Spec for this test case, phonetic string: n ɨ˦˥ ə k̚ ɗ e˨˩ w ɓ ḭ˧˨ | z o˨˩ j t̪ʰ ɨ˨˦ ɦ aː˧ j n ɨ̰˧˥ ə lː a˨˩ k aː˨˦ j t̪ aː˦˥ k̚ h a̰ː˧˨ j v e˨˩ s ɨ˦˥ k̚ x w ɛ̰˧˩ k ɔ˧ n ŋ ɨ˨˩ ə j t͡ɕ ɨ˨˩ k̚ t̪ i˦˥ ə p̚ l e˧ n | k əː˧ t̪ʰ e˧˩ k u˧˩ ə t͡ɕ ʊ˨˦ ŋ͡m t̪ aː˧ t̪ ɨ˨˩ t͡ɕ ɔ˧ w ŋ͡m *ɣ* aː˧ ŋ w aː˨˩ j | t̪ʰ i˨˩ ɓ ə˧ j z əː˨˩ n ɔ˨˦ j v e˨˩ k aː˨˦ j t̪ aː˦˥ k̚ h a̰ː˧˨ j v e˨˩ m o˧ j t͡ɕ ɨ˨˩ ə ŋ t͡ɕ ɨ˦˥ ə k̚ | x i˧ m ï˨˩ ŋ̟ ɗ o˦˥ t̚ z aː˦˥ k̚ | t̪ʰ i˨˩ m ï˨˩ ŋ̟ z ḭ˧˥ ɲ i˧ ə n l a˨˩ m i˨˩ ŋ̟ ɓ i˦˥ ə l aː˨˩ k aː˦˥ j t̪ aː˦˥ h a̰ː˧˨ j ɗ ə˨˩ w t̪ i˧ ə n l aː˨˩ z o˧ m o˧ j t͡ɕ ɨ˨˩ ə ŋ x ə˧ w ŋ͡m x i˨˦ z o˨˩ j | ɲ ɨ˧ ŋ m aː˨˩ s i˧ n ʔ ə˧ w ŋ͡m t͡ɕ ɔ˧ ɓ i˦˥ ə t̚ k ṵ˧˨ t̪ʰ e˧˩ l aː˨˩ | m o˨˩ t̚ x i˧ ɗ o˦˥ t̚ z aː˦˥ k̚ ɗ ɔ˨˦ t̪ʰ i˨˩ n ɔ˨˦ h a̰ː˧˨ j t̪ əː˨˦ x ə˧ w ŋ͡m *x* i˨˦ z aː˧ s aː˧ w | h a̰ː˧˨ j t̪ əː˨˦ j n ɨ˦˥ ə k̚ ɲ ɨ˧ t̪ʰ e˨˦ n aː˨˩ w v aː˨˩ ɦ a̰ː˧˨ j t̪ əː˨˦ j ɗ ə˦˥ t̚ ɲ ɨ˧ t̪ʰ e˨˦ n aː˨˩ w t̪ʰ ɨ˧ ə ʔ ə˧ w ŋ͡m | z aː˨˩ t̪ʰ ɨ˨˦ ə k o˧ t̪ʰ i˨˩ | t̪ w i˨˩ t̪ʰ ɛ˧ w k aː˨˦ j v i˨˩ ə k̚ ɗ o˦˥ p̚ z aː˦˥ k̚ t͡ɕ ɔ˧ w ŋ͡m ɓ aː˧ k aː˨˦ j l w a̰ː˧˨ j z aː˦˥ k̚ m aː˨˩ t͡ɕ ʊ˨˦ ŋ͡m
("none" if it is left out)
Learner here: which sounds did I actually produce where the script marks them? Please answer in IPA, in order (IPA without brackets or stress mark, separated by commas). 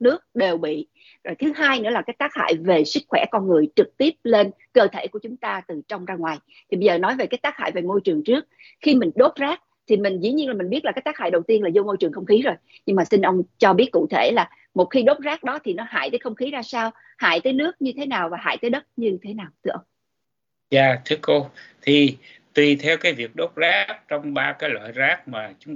z, x